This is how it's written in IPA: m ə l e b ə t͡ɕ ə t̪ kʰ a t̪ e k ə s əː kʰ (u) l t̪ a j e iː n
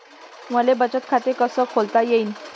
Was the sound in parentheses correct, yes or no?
no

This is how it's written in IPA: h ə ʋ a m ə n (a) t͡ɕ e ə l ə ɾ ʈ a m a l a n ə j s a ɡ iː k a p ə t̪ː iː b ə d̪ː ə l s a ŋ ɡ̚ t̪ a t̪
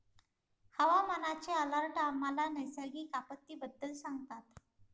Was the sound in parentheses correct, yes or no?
yes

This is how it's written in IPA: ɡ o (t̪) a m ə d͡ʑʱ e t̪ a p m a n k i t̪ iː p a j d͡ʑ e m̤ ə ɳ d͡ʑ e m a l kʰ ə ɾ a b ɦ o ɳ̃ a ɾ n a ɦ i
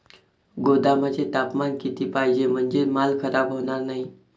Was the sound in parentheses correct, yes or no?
no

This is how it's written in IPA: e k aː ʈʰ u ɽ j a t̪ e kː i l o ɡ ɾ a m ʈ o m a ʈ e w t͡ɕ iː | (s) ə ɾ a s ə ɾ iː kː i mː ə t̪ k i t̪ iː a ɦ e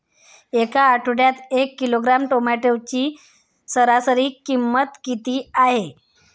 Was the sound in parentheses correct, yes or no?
yes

